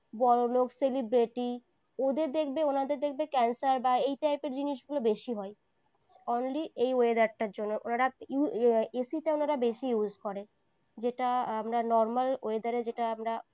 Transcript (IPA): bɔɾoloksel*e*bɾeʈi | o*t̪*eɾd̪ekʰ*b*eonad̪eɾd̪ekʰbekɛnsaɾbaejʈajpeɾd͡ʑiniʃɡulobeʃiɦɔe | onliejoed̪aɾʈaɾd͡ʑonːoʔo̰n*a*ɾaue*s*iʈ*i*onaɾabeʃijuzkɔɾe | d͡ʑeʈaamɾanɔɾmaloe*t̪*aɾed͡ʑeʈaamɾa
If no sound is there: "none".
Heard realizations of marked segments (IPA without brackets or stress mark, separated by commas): i, d̪, b, a, s, a, d̪